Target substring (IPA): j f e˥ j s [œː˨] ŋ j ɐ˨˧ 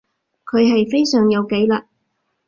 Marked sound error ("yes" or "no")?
no